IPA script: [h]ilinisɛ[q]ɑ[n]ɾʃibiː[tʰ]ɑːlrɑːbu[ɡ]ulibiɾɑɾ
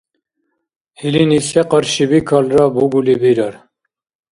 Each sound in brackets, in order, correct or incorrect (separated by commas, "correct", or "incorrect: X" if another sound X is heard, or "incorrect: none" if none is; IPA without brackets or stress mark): correct, correct, incorrect: none, incorrect: kʰ, correct